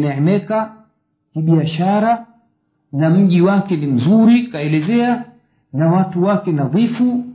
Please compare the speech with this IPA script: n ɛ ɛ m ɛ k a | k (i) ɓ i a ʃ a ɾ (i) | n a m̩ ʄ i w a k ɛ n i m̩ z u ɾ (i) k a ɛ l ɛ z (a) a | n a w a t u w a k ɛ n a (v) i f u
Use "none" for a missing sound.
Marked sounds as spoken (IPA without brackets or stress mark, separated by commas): i, a, i, ɛ, ð